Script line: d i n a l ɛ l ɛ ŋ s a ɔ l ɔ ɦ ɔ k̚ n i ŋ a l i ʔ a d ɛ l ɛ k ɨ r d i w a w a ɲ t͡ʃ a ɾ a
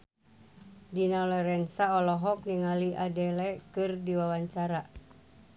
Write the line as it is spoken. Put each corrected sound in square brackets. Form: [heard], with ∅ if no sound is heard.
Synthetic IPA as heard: d i n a l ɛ [ɾ] ɛ [n] s a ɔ l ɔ ɦ ɔ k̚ n i ŋ a l i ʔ a d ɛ l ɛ k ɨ r d i w a w a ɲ t͡ʃ a ɾ a